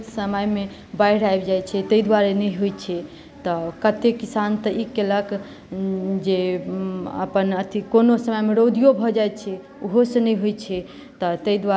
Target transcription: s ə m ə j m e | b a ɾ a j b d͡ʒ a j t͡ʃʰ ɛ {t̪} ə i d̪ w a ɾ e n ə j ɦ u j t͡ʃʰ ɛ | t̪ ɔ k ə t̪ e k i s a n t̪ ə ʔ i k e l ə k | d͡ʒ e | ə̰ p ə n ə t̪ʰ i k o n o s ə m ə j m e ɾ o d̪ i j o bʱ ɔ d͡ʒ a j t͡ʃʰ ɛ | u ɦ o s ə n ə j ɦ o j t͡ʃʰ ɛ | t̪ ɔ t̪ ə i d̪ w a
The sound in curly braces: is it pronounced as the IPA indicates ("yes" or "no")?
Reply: yes